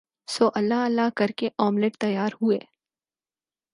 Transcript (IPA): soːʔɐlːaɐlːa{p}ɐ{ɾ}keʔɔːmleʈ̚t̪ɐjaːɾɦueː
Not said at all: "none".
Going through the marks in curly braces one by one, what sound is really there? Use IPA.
k, ɾ

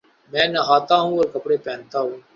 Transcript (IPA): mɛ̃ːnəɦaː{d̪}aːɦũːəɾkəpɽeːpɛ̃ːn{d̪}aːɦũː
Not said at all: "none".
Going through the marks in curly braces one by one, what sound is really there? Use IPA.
t̪, t̪

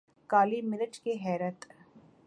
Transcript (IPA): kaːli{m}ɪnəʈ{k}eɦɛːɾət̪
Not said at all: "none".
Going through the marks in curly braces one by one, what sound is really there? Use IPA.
m, k

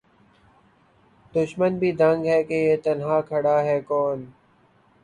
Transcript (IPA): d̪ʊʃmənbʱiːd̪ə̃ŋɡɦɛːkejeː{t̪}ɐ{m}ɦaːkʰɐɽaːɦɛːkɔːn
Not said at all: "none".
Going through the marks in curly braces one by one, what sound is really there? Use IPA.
t̪, n

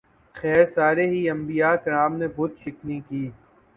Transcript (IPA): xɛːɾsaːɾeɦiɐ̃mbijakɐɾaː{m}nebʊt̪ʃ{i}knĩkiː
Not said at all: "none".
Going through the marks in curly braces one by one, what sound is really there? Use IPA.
m, ɪ

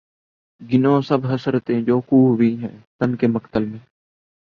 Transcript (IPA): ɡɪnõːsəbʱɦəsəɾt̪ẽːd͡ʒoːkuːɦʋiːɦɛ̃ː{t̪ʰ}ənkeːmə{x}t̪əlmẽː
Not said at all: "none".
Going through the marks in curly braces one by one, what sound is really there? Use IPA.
t̪, k

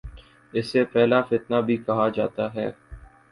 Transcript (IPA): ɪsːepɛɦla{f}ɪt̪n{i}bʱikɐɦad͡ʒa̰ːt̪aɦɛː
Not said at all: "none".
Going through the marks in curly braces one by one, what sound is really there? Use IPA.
f, a

